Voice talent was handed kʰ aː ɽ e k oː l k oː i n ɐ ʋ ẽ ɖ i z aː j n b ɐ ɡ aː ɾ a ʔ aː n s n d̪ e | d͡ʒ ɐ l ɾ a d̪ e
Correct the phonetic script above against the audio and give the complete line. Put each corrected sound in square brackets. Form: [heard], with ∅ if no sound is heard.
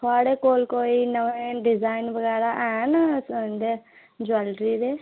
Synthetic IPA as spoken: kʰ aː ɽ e k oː l k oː i n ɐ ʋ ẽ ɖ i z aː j n b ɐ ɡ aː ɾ a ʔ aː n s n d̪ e | d͡ʒ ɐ l ɾ [i] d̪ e